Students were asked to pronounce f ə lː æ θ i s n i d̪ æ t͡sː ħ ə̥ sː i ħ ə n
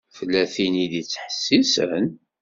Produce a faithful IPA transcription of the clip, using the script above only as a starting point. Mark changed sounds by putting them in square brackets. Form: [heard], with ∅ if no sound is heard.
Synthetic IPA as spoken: f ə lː æ θ i [∅] n i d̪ [i] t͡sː ħ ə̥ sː i [s] ə n